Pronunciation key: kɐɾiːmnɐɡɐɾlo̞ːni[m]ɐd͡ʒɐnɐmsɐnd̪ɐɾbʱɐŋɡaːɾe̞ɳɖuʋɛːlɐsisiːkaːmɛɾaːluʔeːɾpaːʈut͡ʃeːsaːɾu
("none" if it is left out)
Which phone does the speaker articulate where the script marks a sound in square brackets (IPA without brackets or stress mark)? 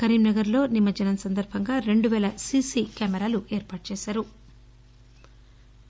m